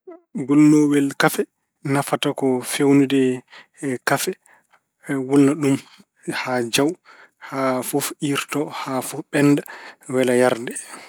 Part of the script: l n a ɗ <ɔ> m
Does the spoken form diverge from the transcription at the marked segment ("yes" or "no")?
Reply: yes